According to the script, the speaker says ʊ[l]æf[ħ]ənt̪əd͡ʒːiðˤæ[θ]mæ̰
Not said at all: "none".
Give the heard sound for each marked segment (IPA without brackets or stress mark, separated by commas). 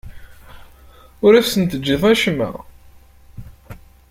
ɾ, s, ʃ